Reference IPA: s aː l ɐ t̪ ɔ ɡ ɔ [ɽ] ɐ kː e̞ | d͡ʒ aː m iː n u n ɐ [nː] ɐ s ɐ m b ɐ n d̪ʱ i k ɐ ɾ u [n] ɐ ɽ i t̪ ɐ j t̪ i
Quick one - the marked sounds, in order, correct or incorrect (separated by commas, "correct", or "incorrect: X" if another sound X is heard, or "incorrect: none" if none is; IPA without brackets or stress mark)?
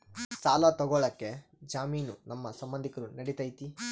incorrect: ɭ, incorrect: mː, correct